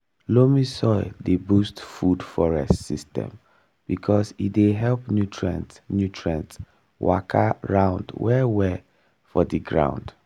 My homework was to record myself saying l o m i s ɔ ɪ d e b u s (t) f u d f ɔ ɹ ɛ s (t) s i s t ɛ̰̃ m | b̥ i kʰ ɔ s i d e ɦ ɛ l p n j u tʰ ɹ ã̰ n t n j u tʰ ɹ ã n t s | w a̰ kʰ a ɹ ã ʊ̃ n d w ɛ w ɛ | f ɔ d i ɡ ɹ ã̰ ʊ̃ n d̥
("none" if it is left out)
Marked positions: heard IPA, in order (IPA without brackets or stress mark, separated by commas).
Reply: t, t